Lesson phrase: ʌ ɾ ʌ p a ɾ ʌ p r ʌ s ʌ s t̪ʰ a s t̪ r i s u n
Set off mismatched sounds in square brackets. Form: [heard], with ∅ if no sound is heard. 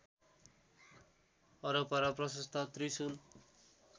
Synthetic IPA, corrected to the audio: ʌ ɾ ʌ p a ɾ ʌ p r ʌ s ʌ s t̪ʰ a [∅] t̪ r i s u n